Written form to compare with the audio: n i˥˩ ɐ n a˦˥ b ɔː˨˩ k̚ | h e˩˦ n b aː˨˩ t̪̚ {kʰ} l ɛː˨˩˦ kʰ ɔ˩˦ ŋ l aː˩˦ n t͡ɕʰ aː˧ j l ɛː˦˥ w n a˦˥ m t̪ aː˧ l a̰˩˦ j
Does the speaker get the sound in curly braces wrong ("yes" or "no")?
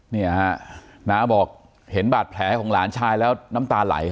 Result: yes